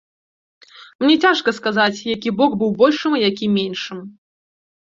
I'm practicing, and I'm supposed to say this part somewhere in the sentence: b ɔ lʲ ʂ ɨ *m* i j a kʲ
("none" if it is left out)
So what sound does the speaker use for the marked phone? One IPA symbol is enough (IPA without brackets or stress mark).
m